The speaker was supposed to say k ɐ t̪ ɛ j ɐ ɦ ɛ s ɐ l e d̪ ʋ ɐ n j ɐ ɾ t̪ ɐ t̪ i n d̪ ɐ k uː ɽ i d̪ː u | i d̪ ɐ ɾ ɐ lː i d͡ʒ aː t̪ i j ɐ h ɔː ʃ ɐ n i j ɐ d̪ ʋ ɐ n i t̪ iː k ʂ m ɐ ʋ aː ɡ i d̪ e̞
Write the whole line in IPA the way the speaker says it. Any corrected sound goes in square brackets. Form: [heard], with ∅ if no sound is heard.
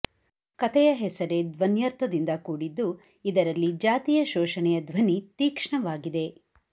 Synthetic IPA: k ɐ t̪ ɛ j ɐ ɦ ɛ s ɐ [ɾ] e d̪ ʋ ɐ n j ɐ ɾ t̪ ɐ [d̪] i n d̪ ɐ k uː ɽ i d̪ː u | i d̪ ɐ ɾ ɐ lː i d͡ʒ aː t̪ i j ɐ [ʃ] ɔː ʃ ɐ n [ɛ] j ɐ d̪ ʋ ɐ n i t̪ iː k ʂ [ɳ] ɐ ʋ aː ɡ i d̪ e̞